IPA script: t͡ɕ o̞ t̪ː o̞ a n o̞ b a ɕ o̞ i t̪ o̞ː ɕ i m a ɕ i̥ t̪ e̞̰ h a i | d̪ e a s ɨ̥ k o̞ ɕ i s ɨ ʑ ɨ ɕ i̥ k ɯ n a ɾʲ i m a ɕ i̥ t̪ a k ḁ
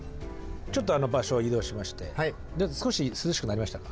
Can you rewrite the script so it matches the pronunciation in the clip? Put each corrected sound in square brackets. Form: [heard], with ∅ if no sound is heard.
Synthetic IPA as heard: t͡ɕ o̞ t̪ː o̞ a n o̞ b a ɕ o̞ i [d̪] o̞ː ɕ i m a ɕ i̥ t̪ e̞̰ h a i | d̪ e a s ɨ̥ k o̞ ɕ i s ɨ [z] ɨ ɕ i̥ k ɯ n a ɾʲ i m a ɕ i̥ t̪ a k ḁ